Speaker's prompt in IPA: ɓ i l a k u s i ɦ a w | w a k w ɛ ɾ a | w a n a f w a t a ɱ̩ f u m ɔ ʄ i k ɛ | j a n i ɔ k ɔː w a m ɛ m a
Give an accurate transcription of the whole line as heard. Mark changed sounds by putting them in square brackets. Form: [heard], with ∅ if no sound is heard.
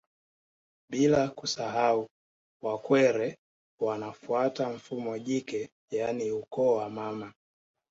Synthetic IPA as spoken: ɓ i l a k u s [a] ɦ a [u] | w a k w ɛ ɾ [ɛ] | w a n a f [u] a t a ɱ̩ f u m ɔ ʄ i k ɛ | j a n i [u] k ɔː w a m [a] m a

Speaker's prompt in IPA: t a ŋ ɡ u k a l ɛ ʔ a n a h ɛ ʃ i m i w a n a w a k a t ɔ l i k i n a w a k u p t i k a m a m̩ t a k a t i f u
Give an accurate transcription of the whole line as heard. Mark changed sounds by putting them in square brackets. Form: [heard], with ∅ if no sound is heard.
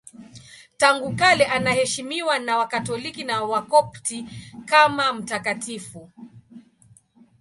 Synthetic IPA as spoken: t a ŋ ɡ u k a l ɛ ʔ a n a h ɛ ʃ i m i w a n a w a k a t ɔ l i k i n a w a k [ɔ] p t i k a m a m̩ t a k a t i f u

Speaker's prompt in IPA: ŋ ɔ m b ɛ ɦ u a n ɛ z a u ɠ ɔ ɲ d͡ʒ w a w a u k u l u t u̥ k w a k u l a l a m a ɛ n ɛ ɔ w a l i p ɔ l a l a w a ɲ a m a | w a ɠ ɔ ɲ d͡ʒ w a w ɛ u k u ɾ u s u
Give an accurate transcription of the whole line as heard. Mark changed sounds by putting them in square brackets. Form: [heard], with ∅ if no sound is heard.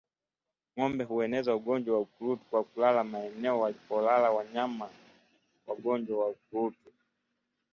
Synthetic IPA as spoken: ŋ ɔ m b ɛ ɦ u [ɛ] n ɛ z a u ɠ ɔ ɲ d͡ʒ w a w a u k u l u t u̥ k w a k u l a l a m a ɛ n ɛ ɔ w a l i p ɔ l a l a w a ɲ a m a | w a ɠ ɔ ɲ d͡ʒ w a w [a] u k u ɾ u [t] u

